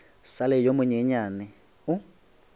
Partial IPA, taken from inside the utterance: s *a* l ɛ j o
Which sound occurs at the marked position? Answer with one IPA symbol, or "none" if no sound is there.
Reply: a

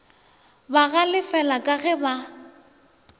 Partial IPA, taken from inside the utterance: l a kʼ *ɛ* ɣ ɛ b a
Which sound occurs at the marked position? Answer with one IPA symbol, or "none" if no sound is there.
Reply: a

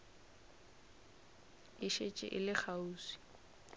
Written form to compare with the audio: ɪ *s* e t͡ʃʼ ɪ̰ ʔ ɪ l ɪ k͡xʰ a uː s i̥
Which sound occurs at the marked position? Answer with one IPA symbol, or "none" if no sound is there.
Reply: ʃ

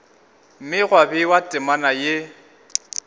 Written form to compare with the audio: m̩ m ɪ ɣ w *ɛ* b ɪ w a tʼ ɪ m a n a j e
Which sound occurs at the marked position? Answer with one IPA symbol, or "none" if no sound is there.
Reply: a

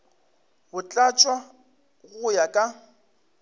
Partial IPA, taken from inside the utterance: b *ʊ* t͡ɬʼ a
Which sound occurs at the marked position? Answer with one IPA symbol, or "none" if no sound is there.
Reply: ʊ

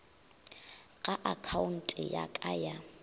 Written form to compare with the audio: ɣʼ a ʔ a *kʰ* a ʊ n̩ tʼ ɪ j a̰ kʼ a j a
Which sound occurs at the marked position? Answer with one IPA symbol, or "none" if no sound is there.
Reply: kʰ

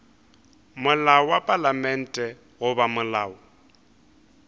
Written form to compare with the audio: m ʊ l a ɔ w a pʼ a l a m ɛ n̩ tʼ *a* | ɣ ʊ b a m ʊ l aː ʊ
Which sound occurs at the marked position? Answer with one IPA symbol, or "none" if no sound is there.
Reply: ɛ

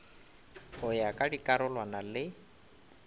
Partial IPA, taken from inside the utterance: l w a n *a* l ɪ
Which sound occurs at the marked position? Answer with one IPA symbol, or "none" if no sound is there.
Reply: a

